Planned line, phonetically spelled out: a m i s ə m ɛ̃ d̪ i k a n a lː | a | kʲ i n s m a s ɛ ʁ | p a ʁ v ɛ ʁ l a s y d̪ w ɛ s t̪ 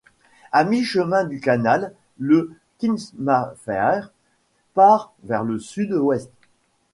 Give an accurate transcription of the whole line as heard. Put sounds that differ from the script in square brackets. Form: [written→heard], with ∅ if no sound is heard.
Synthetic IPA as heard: a m i [s→ʃ] ə m ɛ̃ d̪ [i→y] k a n a lː | [a→ə] | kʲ i n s m a [s→f] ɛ ʁ | p a ʁ v ɛ ʁ l [a→ə] s y d̪ w ɛ s t̪